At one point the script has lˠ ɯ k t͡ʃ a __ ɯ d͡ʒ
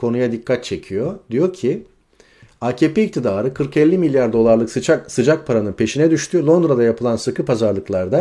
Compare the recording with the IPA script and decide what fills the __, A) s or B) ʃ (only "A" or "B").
A